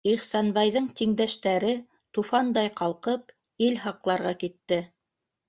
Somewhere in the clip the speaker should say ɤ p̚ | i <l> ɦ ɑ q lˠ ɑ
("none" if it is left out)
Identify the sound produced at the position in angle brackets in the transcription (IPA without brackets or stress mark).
l